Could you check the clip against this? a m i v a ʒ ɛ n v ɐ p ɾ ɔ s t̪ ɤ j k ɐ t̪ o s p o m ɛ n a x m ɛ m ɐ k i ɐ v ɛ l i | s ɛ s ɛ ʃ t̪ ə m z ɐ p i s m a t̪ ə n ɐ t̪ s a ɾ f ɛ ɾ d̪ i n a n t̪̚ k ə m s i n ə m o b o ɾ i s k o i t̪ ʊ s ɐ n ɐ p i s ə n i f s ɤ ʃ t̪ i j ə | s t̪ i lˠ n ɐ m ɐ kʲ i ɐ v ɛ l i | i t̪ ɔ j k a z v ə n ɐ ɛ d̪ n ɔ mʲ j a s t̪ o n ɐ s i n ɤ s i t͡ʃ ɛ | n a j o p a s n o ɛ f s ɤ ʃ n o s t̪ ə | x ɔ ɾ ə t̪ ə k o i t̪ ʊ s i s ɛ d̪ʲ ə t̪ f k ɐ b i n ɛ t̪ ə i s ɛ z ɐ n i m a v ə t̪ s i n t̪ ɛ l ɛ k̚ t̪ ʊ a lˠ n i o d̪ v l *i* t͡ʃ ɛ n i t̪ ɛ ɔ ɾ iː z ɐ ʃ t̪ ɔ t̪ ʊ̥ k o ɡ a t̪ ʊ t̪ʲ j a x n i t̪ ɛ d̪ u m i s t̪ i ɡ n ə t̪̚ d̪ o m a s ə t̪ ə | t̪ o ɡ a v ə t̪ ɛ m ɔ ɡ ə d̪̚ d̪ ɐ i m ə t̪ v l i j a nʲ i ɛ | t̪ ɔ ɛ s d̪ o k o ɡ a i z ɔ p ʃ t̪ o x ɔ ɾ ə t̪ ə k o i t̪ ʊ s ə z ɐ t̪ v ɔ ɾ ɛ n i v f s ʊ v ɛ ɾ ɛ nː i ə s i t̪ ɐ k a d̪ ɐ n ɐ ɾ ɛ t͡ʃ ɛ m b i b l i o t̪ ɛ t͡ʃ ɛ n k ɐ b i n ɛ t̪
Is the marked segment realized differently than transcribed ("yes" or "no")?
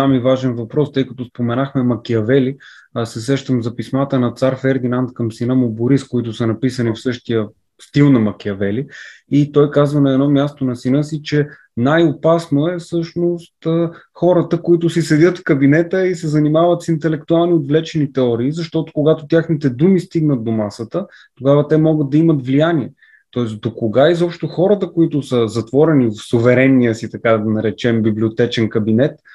yes